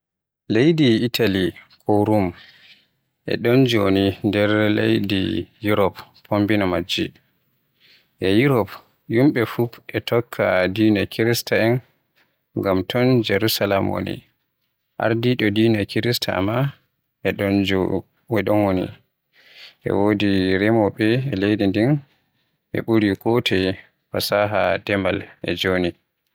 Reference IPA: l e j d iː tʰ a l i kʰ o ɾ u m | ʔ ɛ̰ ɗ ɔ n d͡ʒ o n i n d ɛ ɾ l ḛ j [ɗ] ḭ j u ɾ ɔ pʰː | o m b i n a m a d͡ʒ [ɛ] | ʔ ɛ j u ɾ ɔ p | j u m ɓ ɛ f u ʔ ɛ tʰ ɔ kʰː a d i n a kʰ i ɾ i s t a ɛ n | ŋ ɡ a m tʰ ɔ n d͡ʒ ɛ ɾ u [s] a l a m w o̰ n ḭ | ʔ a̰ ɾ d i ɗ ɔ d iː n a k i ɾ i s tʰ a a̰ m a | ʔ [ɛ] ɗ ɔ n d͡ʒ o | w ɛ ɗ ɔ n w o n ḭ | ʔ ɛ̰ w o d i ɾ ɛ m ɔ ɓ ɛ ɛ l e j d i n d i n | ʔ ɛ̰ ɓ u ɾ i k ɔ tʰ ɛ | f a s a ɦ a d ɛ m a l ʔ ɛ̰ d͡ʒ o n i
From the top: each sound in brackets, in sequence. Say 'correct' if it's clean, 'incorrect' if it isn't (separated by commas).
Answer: incorrect, incorrect, correct, correct